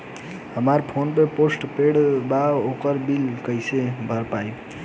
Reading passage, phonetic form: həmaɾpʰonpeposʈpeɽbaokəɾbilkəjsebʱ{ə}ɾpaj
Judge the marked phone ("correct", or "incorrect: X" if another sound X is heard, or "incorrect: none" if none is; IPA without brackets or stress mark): correct